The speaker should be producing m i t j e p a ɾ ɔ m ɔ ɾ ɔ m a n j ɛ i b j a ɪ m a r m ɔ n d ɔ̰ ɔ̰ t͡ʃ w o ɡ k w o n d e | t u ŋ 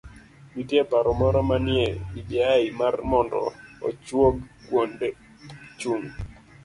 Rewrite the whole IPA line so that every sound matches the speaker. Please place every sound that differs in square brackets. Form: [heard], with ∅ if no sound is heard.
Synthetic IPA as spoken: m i t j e p a ɾ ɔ m ɔ ɾ ɔ m a n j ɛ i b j a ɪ m a r m ɔ n d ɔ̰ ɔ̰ t͡ʃ w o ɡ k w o n d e | [t͡ʃ] u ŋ